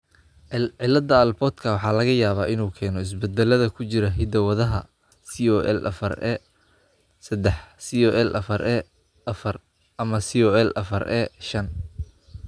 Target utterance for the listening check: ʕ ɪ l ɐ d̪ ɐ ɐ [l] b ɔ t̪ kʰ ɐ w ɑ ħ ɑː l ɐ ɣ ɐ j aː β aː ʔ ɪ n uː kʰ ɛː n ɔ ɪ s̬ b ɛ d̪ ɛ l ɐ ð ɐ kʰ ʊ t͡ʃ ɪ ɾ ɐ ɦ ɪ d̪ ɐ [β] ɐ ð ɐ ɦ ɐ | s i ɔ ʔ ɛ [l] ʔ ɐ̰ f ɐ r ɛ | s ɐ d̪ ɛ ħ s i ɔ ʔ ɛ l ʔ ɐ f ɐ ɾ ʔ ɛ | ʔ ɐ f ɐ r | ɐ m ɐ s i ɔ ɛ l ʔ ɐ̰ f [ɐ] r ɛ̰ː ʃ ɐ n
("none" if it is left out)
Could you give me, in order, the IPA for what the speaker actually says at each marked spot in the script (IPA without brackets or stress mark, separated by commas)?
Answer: l, w, l, ɐ